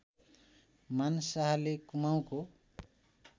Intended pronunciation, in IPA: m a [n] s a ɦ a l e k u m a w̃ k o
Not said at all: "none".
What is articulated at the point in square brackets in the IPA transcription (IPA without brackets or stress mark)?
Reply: n